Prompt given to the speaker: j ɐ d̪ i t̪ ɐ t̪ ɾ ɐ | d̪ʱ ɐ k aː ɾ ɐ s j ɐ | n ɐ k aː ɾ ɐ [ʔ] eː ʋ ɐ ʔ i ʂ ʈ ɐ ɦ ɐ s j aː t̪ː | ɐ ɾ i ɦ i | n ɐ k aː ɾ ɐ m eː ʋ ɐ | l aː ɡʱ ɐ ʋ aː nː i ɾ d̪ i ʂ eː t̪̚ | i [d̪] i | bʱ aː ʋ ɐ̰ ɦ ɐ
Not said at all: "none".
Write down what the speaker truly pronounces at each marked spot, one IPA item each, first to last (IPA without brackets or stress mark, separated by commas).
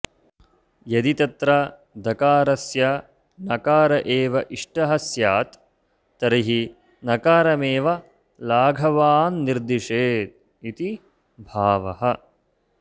ʔ, t̪